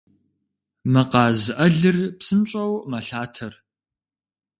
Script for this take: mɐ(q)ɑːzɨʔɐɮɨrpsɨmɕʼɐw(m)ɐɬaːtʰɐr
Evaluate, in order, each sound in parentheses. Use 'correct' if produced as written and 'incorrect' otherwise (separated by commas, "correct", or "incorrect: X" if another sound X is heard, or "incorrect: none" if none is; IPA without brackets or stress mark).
correct, correct